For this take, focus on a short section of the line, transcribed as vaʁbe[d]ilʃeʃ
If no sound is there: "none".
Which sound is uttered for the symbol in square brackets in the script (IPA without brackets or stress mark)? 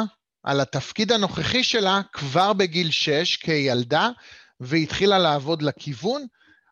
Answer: ɡ